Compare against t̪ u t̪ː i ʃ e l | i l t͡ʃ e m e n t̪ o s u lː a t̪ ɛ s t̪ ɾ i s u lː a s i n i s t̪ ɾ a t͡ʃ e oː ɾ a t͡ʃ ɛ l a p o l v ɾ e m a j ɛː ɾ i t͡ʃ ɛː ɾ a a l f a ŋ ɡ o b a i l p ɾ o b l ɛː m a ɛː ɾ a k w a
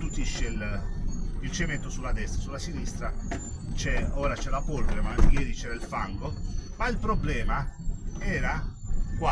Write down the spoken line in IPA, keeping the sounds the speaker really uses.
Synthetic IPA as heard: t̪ u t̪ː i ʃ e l | i l t͡ʃ e m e n t̪ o s u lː a d̪ ɛ s t̪ ɾ a s u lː a s i n i s t̪ ɾ a t͡ʃ ɛ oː ɾ a t͡ʃ ɛ l a p o l v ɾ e m a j ɛː ɾ i t͡ʃ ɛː ɾ a i l f a ŋ ɡ o m a i l p ɾ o b l ɛː m a ɛː ɾ a k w a

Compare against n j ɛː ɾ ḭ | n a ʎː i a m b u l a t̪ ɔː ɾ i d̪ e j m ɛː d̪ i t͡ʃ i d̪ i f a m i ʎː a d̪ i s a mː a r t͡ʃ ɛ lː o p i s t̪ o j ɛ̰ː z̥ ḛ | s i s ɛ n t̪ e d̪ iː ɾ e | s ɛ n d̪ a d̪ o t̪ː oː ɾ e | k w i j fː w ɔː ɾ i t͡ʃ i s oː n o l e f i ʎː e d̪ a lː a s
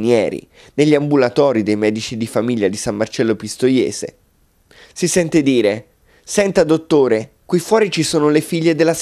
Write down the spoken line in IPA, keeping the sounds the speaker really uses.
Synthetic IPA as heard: n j ɛː ɾ ḭ | n e ʎː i a m b u l a t̪ ɔː ɾ i d̪ e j m ɛː d̪ i t͡ʃ i d̪ i f a m i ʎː a d̪ i s a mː a r t͡ʃ ɛ lː o p i s t̪ o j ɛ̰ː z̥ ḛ | s i s ɛ n t̪ e d̪ iː ɾ e | s ɛ n t̪ a d̪ o t̪ː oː ɾ e | k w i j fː w ɔː ɾ i t͡ʃ i s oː n o l e f i ʎː e d̪ e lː a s

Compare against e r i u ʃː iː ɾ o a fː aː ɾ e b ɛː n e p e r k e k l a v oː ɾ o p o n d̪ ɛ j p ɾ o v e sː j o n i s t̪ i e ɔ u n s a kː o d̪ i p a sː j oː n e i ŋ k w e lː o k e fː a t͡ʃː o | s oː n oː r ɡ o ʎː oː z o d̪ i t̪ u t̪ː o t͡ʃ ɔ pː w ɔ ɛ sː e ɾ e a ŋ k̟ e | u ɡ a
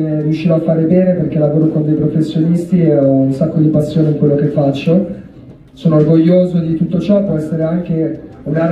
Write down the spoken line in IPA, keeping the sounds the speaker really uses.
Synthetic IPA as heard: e r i u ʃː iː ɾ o a fː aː ɾ e b ɛː n e p e r k e l a v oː ɾ o k o n d̪ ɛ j p ɾ o f e sː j o n i s t̪ i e ɔ u n s a kː o d̪ i p a sː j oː n e i ŋ k w e lː o k e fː a t͡ʃː o | s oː n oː r ɡ o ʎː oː z o d̪ i t̪ u t̪ː o t͡ʃ ɔ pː w ɔ ɛ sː e ɾ e a ŋ k̟ e | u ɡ a

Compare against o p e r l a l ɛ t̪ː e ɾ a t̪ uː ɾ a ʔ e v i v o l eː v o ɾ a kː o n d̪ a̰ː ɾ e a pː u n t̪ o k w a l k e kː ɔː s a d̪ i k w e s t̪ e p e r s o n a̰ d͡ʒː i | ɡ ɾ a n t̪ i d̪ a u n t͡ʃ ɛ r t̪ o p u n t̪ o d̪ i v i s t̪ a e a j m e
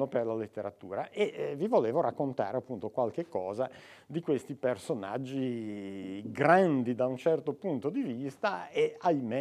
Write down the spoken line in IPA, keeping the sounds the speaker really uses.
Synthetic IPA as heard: o p e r l a l e t̪ː e ɾ a t̪ uː ɾ a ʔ e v i v o l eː v o ɾ a kː o n t̪ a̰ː ɾ e a pː u n t̪ o k w a l k e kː ɔː z a d̪ i k w e s t̪ i p e r s o n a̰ d͡ʒː i | ɡ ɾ a n d̪ i d̪ a u n t͡ʃ ɛ r t̪ o p u n t̪ o d̪ i v i s t̪ a e a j m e

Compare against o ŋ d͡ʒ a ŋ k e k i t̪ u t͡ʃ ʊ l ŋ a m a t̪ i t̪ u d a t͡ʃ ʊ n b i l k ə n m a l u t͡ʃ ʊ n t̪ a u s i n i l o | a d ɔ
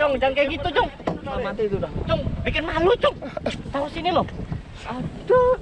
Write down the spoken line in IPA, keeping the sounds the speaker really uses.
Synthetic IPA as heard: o ŋ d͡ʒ a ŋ k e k i t̪ u t͡ʃ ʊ ŋ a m a t̪ i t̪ u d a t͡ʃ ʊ ŋ b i k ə n m a l u t͡ʃ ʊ ŋ t̪ a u s i n i l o | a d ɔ

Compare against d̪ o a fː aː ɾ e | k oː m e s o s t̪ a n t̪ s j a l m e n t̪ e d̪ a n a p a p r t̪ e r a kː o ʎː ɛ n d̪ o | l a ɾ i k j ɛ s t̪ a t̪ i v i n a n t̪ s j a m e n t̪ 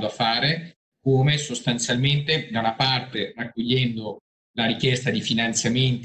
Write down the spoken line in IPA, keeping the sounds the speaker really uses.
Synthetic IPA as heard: d̪ o a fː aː ɾ e | k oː m e s o s t̪ a n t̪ s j a l m e n t̪ e d̪ a n a p a r t̪ e r a kː o ʎː ɛ n d̪ o | l a ɾ i k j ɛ s t̪ a d̪ i f i n a n t̪ s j a m e n t̪

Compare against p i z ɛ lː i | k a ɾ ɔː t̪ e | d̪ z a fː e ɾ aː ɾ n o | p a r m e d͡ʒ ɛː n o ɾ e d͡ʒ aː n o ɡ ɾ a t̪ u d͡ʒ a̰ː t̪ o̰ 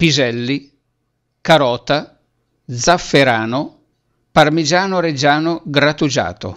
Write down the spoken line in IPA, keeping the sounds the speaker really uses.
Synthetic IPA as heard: p i z ɛ lː i | k a ɾ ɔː t̪ a | d̪ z a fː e ɾ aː n o | p a r m i d͡ʒ aː n o ɾ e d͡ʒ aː n o ɡ ɾ a t̪ u d͡ʒ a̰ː t̪ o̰

